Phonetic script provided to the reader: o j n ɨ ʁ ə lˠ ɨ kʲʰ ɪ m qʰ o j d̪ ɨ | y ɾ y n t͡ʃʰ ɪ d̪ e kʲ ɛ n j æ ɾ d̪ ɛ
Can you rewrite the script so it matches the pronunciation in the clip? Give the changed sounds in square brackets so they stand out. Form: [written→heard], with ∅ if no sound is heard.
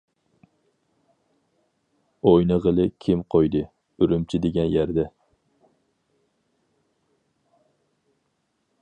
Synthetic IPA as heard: o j n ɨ ʁ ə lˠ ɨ kʲʰ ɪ m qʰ o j d̪ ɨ | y ɾ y [n→m] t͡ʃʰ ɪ d̪ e [kʲ→ɡʲ] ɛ n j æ ɾ d̪ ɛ

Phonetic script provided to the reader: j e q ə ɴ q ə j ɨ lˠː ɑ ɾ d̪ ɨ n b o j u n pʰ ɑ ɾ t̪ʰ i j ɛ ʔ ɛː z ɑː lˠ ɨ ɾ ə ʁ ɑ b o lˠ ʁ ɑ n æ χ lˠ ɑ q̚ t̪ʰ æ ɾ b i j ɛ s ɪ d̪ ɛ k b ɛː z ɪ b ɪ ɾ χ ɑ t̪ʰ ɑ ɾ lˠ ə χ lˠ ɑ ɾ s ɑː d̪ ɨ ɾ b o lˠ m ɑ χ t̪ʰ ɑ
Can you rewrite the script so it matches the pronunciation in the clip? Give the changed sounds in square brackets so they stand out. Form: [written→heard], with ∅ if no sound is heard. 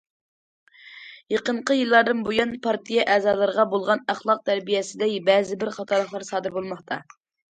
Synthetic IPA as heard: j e q ə ɴ q ə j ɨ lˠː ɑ ɾ d̪ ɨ n b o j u n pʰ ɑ ɾ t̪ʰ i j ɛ ʔ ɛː z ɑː lˠ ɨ ɾ ə ʁ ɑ b o lˠ ʁ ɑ n æ χ lˠ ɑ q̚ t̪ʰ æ ɾ b i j ɛ s ɪ d̪ ɛ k b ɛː z ɪ b ɪ ɾ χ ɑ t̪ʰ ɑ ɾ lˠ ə χ lˠ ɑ ɾ s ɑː d̪ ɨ ɾ b o lˠ m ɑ χ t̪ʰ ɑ

